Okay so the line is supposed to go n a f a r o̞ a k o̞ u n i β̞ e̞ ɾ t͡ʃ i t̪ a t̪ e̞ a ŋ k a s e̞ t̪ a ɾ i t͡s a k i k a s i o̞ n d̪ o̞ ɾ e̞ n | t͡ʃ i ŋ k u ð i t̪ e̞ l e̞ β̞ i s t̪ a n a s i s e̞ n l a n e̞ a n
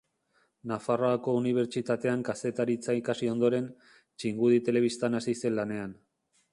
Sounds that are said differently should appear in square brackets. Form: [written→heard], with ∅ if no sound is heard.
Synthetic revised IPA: n a f a r o̞ a k o̞ u n i β̞ e̞ ɾ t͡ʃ i t̪ a t̪ e̞ a ŋ k a s e̞ t̪ a ɾ i t͡s a [k→∅] i k a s i o̞ n d̪ o̞ ɾ e̞ n | t͡ʃ i ŋ [k→ɡ] u ð i t̪ e̞ l e̞ β̞ i s t̪ a n a s i s e̞ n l a n e̞ a n